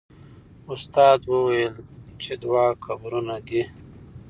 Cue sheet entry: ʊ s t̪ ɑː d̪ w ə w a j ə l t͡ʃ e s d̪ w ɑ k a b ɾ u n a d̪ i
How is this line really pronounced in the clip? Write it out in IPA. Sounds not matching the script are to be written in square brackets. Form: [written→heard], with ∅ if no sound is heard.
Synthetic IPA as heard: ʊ s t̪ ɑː d̪ w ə w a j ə l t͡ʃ e [s→∅] d̪ w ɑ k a b ɾ u n a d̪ i